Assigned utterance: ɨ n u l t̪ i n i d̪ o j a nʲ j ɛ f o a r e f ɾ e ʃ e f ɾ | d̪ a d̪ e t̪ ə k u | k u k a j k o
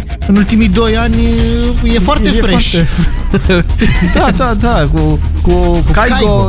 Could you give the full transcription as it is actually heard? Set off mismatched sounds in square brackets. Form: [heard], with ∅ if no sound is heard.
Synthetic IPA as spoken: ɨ n u l t̪ i [m] i d̪ o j a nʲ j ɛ f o a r e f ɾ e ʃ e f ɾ | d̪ a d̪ [a] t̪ [a] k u | k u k a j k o